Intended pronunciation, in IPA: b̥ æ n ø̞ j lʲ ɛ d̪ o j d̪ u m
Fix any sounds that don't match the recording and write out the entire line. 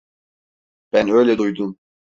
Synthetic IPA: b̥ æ n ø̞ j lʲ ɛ d̪ u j d̪ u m